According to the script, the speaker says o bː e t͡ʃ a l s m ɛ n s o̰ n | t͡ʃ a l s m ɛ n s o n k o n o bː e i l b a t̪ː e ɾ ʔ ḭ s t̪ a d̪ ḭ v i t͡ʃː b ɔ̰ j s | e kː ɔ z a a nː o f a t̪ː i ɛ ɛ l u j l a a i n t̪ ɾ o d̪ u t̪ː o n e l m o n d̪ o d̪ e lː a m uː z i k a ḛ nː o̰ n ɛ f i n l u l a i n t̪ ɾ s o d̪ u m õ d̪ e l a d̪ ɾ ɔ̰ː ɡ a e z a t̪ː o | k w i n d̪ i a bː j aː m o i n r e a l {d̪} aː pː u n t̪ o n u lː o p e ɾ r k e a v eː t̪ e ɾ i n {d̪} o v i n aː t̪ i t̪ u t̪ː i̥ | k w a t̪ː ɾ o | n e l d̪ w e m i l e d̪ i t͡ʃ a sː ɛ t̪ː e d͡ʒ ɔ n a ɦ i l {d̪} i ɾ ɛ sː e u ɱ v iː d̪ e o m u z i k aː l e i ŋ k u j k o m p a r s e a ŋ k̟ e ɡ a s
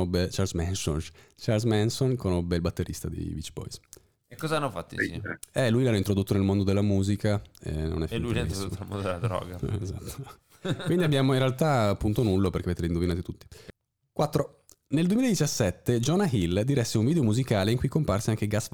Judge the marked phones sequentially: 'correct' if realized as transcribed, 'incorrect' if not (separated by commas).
incorrect, correct, correct